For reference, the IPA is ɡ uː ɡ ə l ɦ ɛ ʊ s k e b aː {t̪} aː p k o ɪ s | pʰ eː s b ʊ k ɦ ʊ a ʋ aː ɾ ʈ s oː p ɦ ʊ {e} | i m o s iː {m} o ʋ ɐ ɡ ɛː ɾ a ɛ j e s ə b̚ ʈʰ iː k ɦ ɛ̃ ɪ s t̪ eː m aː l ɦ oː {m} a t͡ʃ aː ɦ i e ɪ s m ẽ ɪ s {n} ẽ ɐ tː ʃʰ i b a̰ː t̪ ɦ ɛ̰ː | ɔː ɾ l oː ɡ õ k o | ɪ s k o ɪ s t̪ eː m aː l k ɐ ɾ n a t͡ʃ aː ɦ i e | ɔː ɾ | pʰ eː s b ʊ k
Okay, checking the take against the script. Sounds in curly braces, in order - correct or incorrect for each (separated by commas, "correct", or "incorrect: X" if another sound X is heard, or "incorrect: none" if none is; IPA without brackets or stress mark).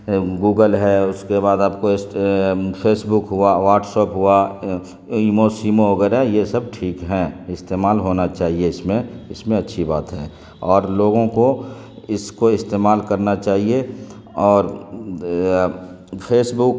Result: incorrect: d̪, incorrect: a, correct, incorrect: n, incorrect: m